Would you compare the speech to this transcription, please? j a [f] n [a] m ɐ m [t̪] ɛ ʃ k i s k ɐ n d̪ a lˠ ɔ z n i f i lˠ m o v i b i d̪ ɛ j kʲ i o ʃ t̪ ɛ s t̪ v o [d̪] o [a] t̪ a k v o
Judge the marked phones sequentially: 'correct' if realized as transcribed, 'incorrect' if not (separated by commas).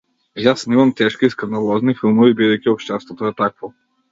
incorrect, incorrect, correct, incorrect, incorrect